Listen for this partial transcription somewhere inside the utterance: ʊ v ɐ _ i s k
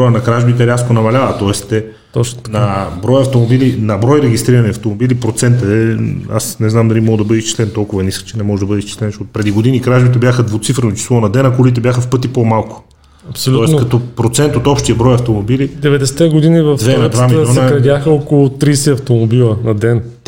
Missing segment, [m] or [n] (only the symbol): n